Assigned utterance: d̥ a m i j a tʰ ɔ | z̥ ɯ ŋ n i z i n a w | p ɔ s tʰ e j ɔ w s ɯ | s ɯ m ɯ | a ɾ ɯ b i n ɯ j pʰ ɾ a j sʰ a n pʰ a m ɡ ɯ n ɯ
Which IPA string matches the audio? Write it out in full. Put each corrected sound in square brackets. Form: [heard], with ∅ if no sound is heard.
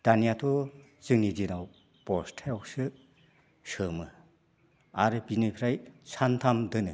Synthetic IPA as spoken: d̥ a [n] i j a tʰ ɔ | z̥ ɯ ŋ n i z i n a w | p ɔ s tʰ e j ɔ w s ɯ | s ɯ m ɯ | a ɾ ɯ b i n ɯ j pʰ ɾ a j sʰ a n [tʰ] a m [d] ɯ n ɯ